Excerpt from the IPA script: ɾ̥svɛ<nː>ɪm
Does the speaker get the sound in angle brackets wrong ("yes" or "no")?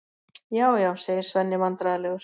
no